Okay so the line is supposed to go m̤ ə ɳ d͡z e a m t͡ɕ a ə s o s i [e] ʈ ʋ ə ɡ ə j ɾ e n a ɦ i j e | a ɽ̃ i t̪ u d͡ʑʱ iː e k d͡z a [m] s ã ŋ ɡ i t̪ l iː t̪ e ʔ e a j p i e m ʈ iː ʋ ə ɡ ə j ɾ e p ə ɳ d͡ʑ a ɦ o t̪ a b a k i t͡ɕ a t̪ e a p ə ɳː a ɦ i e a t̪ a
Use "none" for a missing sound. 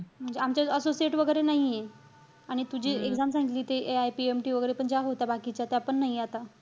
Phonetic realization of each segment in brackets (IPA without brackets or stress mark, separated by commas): e, m